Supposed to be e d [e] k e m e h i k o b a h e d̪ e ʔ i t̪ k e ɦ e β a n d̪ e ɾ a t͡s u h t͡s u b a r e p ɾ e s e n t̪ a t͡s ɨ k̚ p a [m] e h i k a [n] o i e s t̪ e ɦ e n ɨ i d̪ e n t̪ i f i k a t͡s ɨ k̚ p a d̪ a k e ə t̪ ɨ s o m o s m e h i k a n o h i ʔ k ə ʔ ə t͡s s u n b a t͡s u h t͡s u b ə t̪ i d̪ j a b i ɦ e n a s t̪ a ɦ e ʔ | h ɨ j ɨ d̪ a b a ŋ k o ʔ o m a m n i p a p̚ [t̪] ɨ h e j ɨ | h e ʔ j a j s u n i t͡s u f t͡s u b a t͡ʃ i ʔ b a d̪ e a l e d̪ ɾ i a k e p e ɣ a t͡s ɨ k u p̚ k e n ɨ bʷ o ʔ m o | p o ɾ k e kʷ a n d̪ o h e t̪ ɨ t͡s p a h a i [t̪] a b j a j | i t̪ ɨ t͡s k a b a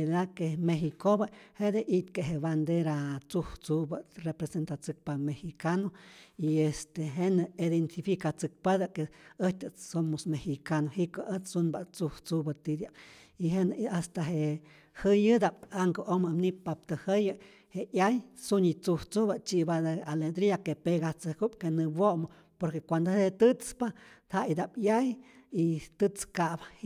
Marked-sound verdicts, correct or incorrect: incorrect, correct, correct, correct, incorrect

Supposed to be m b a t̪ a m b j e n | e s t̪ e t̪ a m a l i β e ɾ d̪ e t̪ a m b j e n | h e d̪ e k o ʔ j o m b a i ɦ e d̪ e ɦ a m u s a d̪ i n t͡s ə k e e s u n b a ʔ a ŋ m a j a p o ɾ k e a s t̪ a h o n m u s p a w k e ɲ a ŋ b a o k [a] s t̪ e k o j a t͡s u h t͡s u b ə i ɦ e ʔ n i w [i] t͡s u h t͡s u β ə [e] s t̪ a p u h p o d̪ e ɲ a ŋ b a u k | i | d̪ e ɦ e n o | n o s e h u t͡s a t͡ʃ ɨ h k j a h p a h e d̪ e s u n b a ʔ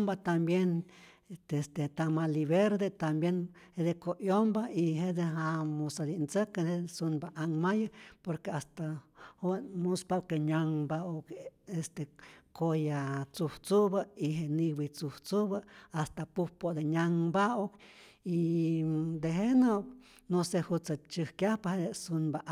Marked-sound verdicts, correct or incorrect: incorrect, correct, incorrect

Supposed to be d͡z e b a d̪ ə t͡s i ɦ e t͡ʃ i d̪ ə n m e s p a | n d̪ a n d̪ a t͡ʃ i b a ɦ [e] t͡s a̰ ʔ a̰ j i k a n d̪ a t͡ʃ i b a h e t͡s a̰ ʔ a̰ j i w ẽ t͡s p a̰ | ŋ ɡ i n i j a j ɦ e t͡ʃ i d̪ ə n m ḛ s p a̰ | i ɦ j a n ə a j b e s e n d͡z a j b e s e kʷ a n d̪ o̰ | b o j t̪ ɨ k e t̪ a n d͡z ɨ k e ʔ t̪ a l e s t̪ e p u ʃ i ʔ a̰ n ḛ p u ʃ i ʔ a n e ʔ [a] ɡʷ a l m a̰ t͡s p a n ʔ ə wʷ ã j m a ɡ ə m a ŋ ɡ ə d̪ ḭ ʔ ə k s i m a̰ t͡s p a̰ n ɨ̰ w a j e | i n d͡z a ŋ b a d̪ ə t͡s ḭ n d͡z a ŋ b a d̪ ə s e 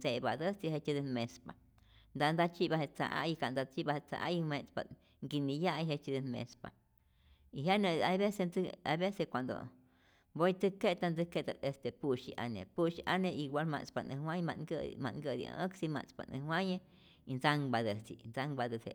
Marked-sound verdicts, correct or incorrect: correct, incorrect

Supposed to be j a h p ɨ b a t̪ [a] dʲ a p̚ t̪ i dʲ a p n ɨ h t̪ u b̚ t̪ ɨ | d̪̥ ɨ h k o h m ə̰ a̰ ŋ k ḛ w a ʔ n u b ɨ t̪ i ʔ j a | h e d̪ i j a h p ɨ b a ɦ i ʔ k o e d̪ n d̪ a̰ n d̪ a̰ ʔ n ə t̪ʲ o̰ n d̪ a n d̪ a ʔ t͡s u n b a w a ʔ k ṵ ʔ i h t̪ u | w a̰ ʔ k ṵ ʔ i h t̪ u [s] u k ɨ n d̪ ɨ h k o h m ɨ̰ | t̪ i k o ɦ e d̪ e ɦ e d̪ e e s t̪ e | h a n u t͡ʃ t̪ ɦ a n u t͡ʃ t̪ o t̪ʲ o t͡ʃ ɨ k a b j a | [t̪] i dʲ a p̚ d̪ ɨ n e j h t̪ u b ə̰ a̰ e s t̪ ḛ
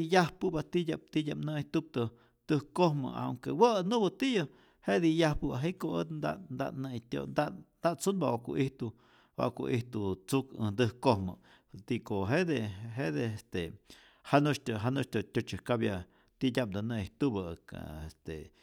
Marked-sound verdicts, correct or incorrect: incorrect, incorrect, correct

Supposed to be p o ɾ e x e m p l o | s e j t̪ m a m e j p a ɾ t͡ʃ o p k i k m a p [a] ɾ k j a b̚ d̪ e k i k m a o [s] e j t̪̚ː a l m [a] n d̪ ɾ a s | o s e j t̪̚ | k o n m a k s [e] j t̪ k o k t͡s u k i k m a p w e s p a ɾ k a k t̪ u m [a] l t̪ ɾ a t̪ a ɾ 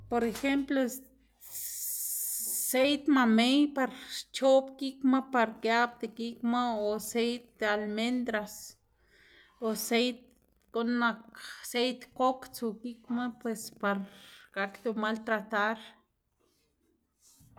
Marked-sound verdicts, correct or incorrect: correct, correct, incorrect, correct, correct

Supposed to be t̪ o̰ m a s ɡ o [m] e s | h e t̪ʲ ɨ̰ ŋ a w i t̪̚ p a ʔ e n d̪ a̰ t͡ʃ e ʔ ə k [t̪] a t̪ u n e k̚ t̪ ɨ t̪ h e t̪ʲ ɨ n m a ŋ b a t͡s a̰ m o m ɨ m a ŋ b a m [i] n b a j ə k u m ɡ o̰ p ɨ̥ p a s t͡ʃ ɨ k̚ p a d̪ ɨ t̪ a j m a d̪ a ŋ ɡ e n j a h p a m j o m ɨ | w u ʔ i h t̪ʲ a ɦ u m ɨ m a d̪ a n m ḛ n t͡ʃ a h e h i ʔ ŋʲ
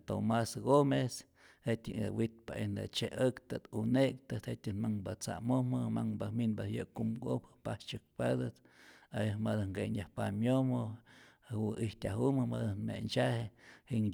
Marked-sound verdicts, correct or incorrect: correct, correct, correct

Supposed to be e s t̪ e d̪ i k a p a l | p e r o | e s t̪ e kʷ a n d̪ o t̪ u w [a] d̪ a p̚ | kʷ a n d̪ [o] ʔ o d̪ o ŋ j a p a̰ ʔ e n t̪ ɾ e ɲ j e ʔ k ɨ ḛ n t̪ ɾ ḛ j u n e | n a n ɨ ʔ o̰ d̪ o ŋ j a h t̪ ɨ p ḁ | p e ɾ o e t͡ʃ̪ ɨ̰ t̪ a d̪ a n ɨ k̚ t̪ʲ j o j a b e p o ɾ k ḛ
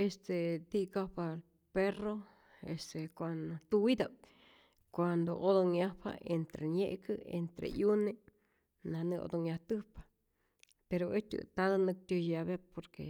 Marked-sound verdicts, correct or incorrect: incorrect, correct

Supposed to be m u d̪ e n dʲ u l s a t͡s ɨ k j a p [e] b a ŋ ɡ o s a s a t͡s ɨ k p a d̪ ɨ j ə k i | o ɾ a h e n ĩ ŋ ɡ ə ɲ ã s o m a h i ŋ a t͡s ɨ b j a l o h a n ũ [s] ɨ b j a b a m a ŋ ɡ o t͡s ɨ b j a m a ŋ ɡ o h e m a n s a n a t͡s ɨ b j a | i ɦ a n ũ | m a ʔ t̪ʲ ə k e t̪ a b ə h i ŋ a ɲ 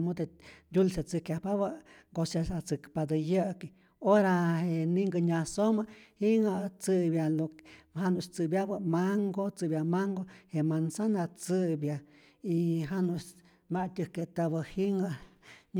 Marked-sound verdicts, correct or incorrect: incorrect, incorrect

